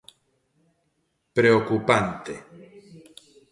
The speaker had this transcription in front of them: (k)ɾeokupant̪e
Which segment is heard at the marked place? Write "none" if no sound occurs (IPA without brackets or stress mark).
p